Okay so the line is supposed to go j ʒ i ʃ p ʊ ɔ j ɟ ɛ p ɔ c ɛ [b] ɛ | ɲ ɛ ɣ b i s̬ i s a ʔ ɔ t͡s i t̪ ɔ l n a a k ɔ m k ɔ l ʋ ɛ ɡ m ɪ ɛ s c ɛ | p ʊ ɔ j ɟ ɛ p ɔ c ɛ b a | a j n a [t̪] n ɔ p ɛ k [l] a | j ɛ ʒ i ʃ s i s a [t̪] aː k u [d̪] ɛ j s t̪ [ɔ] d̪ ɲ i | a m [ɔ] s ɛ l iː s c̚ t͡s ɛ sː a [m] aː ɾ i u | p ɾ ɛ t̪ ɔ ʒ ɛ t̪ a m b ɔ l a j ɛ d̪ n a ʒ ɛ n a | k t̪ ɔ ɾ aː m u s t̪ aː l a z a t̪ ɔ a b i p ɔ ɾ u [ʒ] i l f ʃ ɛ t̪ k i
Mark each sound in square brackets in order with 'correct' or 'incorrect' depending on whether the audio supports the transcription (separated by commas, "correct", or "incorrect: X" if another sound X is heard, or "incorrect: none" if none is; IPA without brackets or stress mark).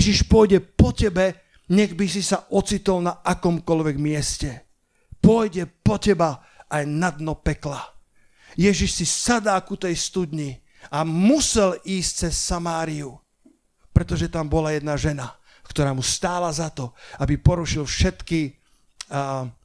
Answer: correct, incorrect: d̪, correct, incorrect: d̪, incorrect: t̪, incorrect: u, incorrect: u, correct, incorrect: ʃ